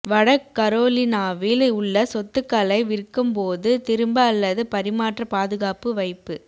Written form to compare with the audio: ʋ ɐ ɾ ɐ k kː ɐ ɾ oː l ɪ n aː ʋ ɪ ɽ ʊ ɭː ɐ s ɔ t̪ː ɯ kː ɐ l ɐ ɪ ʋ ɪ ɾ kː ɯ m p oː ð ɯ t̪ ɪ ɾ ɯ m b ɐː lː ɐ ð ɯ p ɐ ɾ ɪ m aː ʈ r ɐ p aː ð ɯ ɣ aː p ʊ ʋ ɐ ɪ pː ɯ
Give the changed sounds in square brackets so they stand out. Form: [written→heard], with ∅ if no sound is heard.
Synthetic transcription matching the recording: ʋ ɐ [ɾ→ɽ] ɐ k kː ɐ ɾ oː l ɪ n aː ʋ ɪ [ɽ→l] ʊ ɭː ɐ s ɔ t̪ː ɯ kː ɐ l ɐ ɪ ʋ ɪ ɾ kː ɯ m p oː ð ɯ t̪ ɪ ɾ ɯ m b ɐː lː ɐ ð ɯ p ɐ ɾ ɪ m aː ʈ r ɐ p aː ð ɯ ɣ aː p [ʊ→ɯ] ʋ ɐ ɪ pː ɯ